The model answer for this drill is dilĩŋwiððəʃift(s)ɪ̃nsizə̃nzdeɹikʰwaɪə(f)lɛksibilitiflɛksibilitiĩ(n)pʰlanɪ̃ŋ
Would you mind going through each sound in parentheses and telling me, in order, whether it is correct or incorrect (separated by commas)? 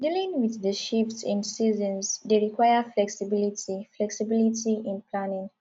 correct, correct, correct